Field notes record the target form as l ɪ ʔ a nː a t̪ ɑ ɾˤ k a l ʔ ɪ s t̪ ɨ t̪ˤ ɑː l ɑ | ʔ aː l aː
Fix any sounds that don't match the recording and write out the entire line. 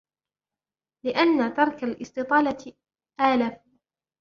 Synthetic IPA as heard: l ɪ ʔ a nː a t̪ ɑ ɾˤ k a l ʔ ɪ s t̪ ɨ t̪ˤ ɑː l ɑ | ʔ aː l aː